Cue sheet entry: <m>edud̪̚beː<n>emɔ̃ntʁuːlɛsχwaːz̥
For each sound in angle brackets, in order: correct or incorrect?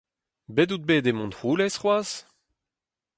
incorrect: b, incorrect: d

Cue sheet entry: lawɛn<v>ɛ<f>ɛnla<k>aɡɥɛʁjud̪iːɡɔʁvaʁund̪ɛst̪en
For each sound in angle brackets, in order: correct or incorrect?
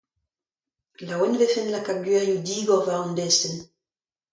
correct, correct, correct

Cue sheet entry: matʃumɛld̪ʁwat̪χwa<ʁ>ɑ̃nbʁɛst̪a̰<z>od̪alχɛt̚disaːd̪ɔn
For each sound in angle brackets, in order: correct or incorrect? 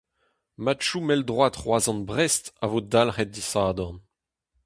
incorrect: z, incorrect: v

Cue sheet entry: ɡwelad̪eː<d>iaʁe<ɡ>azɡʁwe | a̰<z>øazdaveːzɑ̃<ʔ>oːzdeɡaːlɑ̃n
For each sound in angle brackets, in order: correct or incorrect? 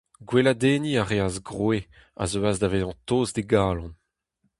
incorrect: n, incorrect: none, correct, incorrect: t

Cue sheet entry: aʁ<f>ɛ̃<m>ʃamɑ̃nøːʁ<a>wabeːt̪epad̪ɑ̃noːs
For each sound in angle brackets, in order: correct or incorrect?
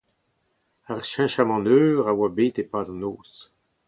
incorrect: ʃ, incorrect: none, correct

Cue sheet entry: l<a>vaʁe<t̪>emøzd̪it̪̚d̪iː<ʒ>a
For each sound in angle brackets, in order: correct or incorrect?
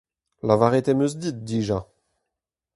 correct, correct, correct

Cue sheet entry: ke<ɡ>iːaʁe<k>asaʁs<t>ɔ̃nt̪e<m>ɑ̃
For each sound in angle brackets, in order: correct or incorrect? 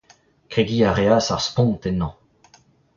correct, incorrect: none, incorrect: p, incorrect: n

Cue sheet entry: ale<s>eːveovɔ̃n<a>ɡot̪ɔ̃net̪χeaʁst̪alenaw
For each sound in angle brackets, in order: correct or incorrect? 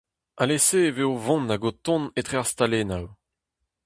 correct, correct

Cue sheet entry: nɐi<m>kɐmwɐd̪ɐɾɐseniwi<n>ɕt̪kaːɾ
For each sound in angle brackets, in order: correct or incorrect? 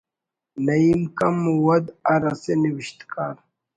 correct, incorrect: none

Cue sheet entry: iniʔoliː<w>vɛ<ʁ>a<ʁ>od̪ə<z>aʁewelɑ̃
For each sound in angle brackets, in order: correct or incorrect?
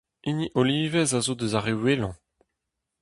incorrect: none, incorrect: z, incorrect: z, correct

